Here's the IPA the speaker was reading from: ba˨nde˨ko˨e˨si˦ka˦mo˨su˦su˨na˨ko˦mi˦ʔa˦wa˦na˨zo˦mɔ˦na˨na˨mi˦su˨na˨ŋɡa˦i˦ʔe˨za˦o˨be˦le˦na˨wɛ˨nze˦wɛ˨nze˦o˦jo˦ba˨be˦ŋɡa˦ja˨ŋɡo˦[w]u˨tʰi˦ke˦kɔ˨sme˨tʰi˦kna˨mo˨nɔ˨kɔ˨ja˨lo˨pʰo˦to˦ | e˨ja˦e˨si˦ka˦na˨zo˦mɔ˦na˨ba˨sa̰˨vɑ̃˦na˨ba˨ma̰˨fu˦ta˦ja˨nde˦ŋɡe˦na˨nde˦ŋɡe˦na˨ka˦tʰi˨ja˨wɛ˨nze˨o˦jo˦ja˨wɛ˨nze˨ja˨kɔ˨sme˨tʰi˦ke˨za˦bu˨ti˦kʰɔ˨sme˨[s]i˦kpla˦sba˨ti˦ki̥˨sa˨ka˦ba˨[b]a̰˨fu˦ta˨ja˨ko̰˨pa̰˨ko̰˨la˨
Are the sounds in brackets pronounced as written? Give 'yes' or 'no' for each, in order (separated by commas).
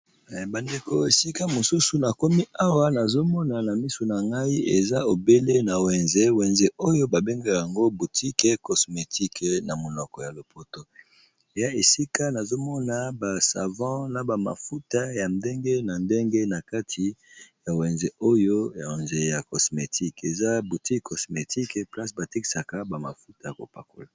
no, no, no